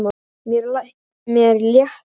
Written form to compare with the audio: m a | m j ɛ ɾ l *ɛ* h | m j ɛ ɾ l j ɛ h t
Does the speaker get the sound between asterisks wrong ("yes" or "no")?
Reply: yes